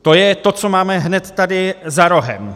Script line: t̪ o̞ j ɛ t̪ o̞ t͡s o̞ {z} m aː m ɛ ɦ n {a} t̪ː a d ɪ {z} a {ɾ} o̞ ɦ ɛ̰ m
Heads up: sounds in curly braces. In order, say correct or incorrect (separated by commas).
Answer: incorrect, incorrect, correct, correct